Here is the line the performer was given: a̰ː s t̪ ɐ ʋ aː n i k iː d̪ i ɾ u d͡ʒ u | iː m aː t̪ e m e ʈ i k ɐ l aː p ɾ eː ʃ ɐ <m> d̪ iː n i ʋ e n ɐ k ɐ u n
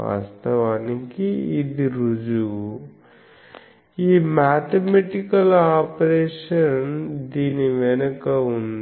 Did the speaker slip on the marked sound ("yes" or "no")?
yes